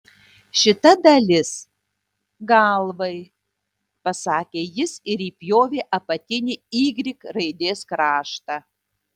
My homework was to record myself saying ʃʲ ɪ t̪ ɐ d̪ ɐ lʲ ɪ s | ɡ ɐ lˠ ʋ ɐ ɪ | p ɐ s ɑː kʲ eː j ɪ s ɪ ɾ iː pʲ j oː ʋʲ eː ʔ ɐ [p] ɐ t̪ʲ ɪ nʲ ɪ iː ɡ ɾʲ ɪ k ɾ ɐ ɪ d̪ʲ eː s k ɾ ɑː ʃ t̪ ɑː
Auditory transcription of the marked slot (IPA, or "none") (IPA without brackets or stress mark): p